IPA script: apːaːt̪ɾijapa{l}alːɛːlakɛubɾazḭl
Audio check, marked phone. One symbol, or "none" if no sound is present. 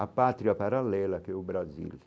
ɾ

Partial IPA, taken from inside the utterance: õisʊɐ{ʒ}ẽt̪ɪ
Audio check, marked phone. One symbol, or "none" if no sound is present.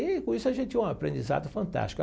ʒ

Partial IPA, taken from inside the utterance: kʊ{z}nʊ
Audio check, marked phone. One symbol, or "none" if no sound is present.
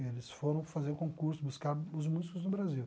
z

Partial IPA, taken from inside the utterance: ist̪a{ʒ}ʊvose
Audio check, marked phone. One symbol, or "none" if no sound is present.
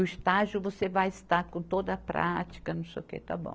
ʒ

